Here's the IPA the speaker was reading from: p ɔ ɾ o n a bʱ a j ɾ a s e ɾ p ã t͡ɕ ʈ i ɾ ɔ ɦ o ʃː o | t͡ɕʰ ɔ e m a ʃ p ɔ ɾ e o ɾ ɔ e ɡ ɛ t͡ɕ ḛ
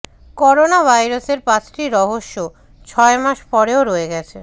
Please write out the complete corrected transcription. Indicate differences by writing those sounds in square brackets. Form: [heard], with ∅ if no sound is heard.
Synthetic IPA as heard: [k] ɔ ɾ o n a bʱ a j ɾ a s e ɾ p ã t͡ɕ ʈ i ɾ ɔ ɦ o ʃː o | t͡ɕʰ ɔ e m a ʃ p ɔ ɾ e o ɾ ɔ e ɡ ɛ [t͡ɕʰ] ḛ